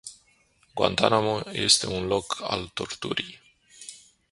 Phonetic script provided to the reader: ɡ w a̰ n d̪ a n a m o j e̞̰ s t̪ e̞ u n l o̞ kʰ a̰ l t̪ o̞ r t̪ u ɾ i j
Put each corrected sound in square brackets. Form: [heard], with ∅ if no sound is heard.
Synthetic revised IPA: ɡ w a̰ n [t̪] a n a m o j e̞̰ s t̪ e̞ u n l o̞ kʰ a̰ l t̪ o̞ r t̪ u ɾ i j

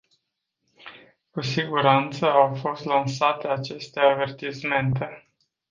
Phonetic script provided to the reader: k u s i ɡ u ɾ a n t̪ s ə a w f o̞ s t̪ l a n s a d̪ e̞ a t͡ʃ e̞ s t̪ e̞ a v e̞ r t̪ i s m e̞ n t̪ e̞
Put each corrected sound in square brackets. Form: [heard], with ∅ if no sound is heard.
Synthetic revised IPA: k u s i ɡ u ɾ a n t̪ s ə a w f o̞ s t̪ l a n s a [t̪] e̞ a t͡ʃ e̞ s t̪ e̞ a v e̞ r t̪ i s m e̞ n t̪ e̞

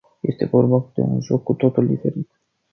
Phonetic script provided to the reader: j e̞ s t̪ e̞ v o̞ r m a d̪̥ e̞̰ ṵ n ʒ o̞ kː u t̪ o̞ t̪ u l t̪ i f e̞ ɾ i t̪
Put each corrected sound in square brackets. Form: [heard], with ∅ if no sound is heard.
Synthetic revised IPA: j e̞ s t̪ e̞ v o̞ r [b] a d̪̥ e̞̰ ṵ n ʒ o̞ kː u t̪ o̞ t̪ u l [d̪] i f e̞ ɾ i t̪

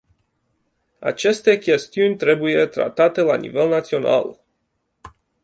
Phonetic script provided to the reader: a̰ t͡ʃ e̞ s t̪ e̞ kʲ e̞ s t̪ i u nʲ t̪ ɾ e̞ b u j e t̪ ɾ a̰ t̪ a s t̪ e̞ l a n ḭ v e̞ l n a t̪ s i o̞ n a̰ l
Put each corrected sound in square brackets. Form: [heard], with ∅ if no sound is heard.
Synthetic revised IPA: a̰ t͡ʃ e̞ s t̪ e̞ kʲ e̞ s t̪ i u nʲ t̪ ɾ e̞ b u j e t̪ ɾ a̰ t̪ a [∅] t̪ e̞ l a n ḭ v e̞ l n a t̪ s i o̞ n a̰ l

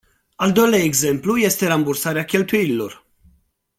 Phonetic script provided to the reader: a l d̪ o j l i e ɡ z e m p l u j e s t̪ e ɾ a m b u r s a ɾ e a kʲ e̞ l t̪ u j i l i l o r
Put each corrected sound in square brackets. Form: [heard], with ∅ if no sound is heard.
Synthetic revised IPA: a l d̪ o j l [a] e ɡ z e m p l u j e s t̪ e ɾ a m b u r s a ɾ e a kʲ e̞ l t̪ u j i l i l o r

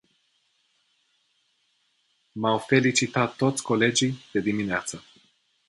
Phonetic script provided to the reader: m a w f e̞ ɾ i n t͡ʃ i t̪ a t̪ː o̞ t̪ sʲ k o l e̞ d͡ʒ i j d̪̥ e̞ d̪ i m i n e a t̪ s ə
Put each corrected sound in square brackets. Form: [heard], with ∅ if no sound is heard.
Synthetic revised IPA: m a w f e̞ [l] i [∅] t͡ʃ i t̪ a t̪ː o̞ t̪ sʲ k o l e̞ d͡ʒ i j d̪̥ e̞ d̪ i m i n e a t̪ s ə

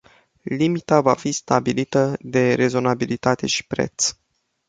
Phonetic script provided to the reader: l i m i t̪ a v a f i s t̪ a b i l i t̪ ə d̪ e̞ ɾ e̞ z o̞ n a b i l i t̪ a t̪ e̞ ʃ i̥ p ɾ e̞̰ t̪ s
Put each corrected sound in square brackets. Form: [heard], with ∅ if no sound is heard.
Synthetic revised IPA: l i m i t̪ a v a f i s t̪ a b i l i t̪ ə d̪ e̞ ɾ e̞ z o̞ n a b i l i t̪ a t̪ e̞ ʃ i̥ p ɾ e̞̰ t̪ s

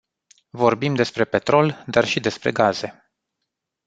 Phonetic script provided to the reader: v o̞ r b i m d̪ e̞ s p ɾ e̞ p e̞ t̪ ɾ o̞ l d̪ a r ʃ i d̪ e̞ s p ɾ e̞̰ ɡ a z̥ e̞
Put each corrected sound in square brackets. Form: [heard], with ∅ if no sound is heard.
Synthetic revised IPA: v o̞ r b i m d̪ e̞ s p ɾ e̞ p e̞ t̪ ɾ o̞ l d̪ a r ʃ i d̪ e̞ s p ɾ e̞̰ ɡ a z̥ e̞

